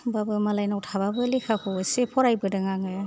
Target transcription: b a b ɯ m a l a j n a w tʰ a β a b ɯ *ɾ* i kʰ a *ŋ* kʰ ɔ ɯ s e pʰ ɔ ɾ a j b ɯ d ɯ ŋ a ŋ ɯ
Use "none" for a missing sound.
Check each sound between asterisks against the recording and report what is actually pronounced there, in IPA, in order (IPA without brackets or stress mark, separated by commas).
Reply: l, none